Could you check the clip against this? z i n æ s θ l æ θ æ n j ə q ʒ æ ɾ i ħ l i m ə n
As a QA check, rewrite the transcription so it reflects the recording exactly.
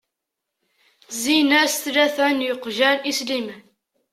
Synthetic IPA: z i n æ s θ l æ θ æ n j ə q ʒ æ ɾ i s l i m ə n

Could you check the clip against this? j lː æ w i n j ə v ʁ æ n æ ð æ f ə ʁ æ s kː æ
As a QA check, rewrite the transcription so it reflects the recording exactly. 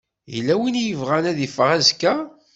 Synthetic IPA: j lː æ w i n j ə v ʁ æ n æ ð i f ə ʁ æ z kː æ

